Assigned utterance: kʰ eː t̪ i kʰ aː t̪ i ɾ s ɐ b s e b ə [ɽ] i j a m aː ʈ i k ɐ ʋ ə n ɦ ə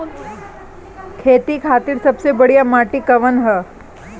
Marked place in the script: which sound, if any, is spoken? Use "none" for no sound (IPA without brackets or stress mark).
ɽ